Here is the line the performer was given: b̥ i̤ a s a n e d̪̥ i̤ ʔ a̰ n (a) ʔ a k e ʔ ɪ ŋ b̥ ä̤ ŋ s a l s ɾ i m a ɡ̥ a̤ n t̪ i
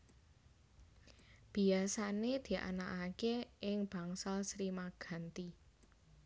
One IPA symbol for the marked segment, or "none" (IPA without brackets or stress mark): a